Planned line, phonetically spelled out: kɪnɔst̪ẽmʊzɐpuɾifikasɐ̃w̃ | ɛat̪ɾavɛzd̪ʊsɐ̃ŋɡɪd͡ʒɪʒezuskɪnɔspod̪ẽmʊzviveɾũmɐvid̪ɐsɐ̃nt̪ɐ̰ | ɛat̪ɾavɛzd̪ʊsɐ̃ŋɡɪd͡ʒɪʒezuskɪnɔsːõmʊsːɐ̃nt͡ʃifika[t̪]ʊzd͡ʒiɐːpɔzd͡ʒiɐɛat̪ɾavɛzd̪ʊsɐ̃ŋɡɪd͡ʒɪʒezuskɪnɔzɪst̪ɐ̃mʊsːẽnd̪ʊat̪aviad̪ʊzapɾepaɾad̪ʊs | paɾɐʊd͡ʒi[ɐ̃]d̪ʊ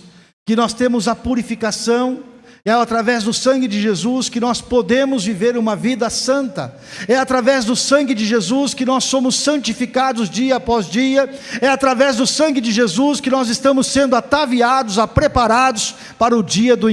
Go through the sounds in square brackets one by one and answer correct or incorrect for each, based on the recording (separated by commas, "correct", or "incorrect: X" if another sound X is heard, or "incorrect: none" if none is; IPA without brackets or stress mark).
incorrect: d̪, incorrect: ɐ